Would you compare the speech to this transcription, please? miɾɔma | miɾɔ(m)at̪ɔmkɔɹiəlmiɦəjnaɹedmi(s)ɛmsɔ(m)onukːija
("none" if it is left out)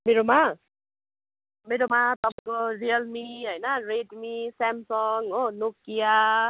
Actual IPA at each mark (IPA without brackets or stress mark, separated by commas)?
m, s, ŋ